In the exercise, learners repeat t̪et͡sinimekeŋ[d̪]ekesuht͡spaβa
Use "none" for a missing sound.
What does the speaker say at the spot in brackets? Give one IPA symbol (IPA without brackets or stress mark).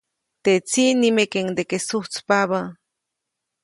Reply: d̪